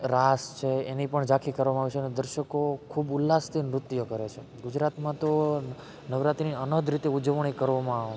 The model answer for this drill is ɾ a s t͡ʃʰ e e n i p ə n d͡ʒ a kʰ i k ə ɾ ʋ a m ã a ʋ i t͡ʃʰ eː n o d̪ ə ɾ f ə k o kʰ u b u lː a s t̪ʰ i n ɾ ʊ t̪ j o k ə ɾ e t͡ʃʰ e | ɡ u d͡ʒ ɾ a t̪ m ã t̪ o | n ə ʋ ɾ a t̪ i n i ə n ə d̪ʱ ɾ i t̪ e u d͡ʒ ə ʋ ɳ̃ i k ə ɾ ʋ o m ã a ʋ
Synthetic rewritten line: ɾ a s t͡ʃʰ e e n i p ə ɳ d͡ʒ a kʰ i k ə ɾ ʋ a m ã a ʋ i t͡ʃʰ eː n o d̪ ə ɾ ʃ ə k o kʰ u b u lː a s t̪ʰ i n ɾ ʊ t̪ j o k ə ɾ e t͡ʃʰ e | ɡ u d͡ʒ ɾ a t̪ m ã t̪ o | n ə ʋ ɾ a t̪ i n i ə n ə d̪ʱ ɾ i t̪ e u d͡ʒ ə ʋ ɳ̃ i k ə ɾ ʋ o m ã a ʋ